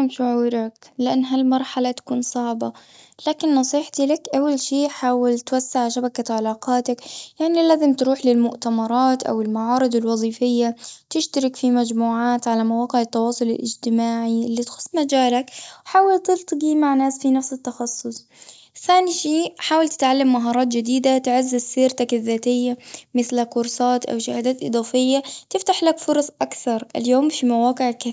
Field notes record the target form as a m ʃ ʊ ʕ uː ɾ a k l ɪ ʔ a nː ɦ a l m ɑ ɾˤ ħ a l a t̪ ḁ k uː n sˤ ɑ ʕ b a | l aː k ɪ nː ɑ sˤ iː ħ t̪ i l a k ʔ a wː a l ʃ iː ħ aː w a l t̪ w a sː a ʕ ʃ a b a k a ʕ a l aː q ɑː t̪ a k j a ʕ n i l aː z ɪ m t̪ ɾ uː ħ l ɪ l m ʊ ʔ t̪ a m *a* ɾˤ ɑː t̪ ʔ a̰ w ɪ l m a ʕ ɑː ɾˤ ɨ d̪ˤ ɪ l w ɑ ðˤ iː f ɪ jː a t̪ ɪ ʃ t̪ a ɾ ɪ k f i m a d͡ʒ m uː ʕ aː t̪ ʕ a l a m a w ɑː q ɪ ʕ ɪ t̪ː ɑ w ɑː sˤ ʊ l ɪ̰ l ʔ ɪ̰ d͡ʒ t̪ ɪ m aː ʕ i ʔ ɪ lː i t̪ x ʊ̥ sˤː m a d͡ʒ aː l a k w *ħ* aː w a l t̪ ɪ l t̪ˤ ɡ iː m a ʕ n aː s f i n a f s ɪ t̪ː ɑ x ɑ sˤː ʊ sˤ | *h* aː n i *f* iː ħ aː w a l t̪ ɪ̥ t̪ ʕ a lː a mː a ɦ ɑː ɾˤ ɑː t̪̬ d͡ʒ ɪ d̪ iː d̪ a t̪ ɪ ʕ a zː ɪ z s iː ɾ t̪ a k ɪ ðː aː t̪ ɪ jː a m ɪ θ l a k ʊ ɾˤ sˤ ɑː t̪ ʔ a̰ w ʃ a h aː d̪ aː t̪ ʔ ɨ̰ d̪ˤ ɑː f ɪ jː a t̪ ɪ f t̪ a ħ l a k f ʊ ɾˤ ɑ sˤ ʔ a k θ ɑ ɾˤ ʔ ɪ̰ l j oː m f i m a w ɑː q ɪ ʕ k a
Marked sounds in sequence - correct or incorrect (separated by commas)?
incorrect, correct, incorrect, incorrect